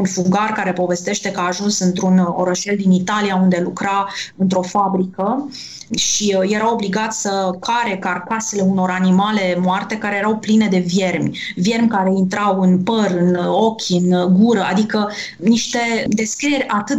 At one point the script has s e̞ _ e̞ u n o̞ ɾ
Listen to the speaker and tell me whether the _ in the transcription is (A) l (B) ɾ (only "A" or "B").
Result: A